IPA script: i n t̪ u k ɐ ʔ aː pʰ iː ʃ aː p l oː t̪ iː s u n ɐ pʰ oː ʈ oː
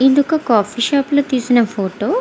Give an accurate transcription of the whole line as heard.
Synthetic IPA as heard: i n d̪ u k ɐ k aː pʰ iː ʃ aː p l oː t̪ iː s u n ɐ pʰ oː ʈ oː

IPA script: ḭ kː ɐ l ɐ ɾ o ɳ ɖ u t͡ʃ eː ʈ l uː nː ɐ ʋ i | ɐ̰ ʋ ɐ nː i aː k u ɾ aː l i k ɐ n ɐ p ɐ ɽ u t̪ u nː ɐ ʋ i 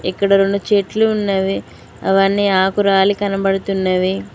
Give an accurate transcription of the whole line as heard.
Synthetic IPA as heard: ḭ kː ɐ ɽ ɐ ɾ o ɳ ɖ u t͡ʃ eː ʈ l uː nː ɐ ʋ i | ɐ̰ ʋ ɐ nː i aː k u ɾ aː l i k ɐ n ɐ b ɐ ɽ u t̪ u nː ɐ ʋ i

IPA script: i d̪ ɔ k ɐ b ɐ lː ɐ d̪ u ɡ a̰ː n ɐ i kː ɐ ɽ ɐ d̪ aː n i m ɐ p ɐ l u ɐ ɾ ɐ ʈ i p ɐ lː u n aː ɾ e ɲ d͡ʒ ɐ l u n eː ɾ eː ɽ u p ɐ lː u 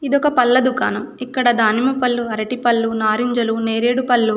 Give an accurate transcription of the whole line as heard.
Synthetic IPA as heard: i d̪ ɔ k ɐ p ɐ lː ɐ d̪ u k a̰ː n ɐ i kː ɐ ɽ ɐ d̪ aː n i m ɐ p ɐ lː u ɐ ɾ ɐ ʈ i p ɐ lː u n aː ɾ i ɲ d͡ʒ ɐ l u n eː ɾ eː ɽ u p ɐ lː u

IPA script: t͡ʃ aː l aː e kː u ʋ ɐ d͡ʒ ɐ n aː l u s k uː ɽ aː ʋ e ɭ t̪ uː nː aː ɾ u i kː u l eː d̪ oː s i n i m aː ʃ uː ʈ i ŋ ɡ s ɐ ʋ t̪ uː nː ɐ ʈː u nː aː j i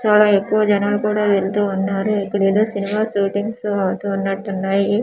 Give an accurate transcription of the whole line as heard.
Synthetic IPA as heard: t͡ʃ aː l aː e kː u ʋ ɐ d͡ʒ ɐ n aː l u k uː ɽ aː ʋ e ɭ t̪ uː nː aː ɾ u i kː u ɽ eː d̪ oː s i n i m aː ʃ uː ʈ i ŋ ɡ s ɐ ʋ t̪ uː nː ɐ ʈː u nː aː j i

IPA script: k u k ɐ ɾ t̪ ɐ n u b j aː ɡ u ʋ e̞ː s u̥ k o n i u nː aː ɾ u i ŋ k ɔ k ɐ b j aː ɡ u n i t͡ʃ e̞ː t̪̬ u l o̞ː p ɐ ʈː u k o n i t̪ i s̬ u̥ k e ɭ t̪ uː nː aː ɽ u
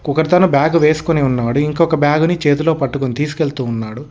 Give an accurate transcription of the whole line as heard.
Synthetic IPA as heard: k u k ɐ ɾ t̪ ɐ n u b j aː ɡ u ʋ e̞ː s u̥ k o n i u nː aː ɽ u i ŋ k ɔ k ɐ b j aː ɡ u n i t͡ʃ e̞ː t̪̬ u l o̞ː p ɐ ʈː u k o n i t̪ iː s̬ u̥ k e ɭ t̪ uː nː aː ɽ u

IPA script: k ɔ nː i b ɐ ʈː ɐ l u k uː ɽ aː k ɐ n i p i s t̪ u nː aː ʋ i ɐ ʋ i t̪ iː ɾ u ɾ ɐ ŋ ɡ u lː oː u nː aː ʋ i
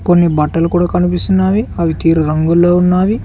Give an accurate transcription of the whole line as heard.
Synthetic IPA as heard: k o nː i b ɐ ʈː ɐ l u k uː ɽ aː k ɐ n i p i s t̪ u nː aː ʋ i ɐ ʋ i t̪ iː ɾ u ɾ ɐ ŋ ɡ u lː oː u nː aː ʋ i

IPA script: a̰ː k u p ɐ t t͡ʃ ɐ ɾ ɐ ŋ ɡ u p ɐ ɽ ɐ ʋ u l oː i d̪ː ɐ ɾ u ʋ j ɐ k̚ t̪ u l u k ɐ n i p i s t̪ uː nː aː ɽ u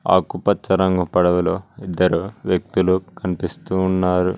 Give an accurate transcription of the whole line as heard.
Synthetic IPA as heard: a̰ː k u p ɐ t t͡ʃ ɐ ɾ ɐ ŋ ɡ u p ɐ ɽ ɐ ʋ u l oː i d̪ː ɐ ɾ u ʋ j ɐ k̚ t̪ u l u k ɐ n i p i s t̪ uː nː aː ɾ u

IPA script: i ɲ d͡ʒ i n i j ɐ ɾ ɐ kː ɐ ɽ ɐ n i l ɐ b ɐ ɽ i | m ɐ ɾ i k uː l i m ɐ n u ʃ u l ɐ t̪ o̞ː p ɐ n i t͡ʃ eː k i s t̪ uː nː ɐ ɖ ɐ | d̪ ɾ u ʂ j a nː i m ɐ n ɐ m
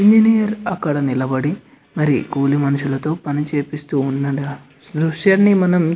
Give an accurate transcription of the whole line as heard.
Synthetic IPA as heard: i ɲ d͡ʒ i n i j ɐ ɾ ɐ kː ɐ ɽ ɐ n i l ɐ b ɐ ɽ i | m ɐ ɾ i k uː l i m ɐ n u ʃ u l ɐ t̪ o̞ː p ɐ n i t͡ʃ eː p i s t̪ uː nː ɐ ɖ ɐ | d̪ ɾ u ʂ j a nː i m ɐ n ɐ m

